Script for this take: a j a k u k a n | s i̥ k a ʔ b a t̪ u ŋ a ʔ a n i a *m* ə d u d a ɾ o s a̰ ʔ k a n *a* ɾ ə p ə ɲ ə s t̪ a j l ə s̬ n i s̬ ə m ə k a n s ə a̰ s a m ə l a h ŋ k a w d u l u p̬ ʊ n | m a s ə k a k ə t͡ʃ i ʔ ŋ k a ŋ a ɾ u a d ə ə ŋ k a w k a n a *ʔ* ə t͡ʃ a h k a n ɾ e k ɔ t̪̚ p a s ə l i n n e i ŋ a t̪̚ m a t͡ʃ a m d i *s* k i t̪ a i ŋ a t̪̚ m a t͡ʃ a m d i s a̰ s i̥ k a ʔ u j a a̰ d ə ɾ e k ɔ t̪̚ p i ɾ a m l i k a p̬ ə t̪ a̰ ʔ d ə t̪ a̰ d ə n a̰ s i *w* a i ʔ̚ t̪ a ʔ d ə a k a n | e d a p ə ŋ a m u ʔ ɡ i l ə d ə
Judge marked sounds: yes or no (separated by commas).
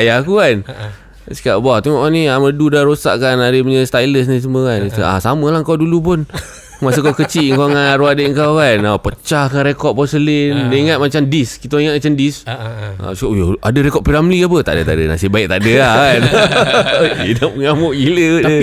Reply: yes, yes, no, yes, no